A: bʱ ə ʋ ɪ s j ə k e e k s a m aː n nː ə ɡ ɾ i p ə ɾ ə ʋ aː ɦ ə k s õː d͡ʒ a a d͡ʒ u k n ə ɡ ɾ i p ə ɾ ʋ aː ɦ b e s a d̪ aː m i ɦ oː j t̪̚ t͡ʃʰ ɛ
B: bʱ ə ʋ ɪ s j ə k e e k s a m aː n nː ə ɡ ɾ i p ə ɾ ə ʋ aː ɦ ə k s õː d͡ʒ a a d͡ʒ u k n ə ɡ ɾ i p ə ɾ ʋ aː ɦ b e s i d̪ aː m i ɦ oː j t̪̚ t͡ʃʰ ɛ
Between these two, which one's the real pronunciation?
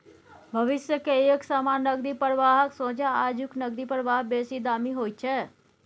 B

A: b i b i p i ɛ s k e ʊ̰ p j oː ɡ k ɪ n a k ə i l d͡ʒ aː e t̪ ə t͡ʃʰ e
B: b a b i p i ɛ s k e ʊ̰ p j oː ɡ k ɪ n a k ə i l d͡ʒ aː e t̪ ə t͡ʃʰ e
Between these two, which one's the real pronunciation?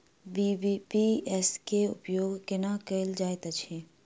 A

